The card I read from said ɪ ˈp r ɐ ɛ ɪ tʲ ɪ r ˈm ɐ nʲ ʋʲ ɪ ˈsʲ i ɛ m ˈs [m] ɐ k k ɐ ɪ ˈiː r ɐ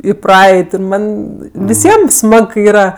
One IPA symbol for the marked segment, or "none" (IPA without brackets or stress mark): m